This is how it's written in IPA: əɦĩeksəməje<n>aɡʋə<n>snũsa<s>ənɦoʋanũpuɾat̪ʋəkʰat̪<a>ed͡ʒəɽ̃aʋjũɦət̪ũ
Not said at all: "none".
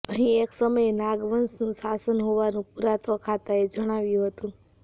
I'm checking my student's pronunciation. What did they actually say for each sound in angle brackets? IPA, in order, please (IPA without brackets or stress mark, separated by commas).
n, n, s, a